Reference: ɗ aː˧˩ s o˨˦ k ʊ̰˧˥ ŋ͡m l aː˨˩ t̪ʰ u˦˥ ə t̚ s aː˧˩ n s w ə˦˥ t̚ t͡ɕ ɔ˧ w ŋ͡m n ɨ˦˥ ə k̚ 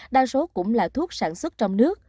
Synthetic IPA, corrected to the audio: ɗ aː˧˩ s o˨˦ k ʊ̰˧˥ ŋ͡m l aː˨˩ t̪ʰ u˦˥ ə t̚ s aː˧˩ n s w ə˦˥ t̚ t͡ɕ ɔ˧ w ŋ͡m n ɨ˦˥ ə k̚